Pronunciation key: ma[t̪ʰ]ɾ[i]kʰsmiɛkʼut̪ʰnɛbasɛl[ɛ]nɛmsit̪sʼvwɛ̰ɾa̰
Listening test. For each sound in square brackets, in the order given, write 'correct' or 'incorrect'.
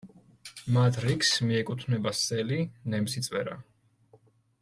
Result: correct, correct, incorrect: i

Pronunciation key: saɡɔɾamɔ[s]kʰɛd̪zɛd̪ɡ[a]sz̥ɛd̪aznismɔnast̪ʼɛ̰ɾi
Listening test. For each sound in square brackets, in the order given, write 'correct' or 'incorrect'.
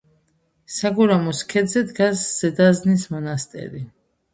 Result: correct, correct

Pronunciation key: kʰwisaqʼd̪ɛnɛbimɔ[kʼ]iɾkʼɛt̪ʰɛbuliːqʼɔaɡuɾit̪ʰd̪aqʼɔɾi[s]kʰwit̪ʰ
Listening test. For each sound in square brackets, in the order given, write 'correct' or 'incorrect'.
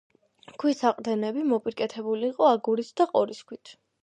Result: incorrect: pʼ, correct

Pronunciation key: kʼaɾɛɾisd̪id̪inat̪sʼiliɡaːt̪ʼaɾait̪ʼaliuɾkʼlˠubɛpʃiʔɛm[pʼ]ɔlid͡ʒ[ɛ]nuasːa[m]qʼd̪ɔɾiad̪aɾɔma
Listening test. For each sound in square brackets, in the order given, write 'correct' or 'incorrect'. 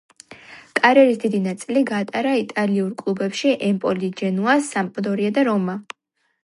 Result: correct, correct, correct

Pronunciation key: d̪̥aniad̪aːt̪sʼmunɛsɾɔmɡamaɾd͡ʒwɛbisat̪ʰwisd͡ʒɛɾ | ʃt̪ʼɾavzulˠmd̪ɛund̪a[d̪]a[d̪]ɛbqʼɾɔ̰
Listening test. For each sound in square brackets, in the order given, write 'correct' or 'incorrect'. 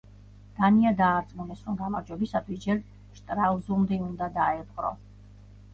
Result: correct, incorrect: none

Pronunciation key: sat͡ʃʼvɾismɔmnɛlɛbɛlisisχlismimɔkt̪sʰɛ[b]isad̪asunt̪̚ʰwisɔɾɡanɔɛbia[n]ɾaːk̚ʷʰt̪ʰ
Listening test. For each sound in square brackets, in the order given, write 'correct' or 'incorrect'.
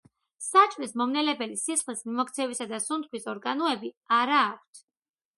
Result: incorrect: v, incorrect: none

